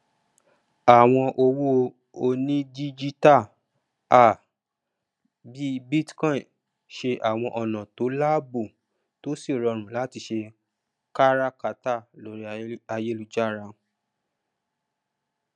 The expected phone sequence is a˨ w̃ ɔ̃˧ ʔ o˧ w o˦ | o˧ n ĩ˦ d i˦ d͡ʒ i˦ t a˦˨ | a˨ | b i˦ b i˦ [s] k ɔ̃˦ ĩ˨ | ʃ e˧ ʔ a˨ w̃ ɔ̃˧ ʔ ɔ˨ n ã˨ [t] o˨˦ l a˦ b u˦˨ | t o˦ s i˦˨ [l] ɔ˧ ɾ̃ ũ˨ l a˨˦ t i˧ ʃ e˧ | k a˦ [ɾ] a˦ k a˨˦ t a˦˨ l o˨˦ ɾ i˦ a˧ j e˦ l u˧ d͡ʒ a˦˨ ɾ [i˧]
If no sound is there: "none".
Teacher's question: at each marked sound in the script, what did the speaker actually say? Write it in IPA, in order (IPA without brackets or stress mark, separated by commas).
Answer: t, t, ɾ, ɾ, a˧